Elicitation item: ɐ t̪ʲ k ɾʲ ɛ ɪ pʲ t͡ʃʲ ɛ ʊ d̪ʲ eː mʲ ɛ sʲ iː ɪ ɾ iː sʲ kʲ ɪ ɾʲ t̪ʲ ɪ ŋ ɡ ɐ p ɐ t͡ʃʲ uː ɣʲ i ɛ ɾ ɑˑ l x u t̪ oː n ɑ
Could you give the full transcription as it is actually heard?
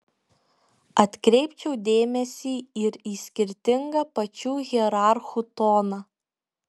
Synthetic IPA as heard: ɐ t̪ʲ k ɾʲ ɛ ɪ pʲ t͡ʃʲ ɛ ʊ d̪ʲ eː mʲ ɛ sʲ iː ɪ ɾ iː sʲ kʲ ɪ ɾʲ t̪ʲ ɪ ŋ ɡ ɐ p ɐ t͡ʃʲ uː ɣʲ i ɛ ɾ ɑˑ ɾ x u t̪ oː n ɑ